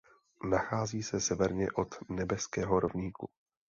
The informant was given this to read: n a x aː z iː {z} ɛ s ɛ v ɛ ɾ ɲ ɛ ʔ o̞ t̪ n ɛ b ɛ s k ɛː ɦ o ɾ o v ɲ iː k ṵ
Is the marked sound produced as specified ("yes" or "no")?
no